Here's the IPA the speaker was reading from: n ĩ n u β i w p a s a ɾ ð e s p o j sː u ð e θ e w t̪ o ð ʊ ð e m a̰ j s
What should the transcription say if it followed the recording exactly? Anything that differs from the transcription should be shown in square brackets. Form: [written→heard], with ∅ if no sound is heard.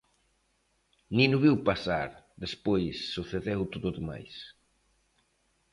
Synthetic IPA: n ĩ n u β i w p a s a ɾ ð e s p o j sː u [ð→θ] e [θ→ð] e w t̪ o ð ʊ ð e m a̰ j s